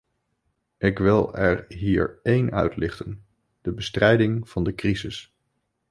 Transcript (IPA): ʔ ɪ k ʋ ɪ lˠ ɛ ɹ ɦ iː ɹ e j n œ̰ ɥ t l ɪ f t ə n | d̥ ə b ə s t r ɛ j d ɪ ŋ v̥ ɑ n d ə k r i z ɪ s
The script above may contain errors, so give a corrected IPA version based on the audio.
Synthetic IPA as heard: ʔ ɪ k ʋ ɪ lˠ ɛ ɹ ɦ iː ɹ e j n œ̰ ɥ t l ɪ χ t ə n | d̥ ə b ə s t r ɛ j d ɪ ŋ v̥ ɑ n d ə k r i z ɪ s